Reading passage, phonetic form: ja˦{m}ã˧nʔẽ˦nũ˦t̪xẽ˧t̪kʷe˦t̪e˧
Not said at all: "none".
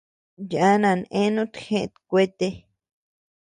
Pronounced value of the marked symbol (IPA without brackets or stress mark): n